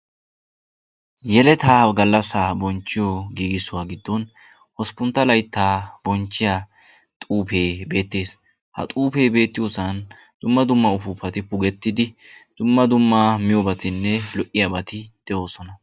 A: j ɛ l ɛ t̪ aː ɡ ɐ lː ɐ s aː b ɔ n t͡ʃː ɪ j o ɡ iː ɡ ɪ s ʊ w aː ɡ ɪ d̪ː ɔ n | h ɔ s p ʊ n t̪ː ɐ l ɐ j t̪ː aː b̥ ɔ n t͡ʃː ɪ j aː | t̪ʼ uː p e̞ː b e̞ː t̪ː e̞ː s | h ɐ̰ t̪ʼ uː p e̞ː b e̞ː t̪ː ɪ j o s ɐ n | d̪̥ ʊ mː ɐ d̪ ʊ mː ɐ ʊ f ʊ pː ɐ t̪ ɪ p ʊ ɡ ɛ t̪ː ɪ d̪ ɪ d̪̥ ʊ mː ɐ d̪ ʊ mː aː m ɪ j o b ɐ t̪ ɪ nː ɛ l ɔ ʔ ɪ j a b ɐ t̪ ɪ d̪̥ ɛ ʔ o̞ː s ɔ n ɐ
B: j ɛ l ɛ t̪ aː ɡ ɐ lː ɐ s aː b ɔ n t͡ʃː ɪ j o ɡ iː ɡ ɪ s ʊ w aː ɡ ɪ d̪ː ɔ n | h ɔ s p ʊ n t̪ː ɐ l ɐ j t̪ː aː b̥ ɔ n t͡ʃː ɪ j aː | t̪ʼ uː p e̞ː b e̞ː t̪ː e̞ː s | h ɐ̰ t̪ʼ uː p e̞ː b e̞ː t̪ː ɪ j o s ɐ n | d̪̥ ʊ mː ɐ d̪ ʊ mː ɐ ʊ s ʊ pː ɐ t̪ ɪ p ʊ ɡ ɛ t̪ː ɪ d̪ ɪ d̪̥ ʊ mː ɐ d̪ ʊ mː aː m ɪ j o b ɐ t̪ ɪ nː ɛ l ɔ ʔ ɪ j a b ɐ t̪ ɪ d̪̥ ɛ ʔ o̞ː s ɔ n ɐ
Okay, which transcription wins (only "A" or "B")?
A